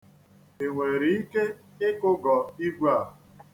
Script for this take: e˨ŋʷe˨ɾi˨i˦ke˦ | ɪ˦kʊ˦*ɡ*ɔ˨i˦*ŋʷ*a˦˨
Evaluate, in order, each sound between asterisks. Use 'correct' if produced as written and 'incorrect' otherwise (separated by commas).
correct, incorrect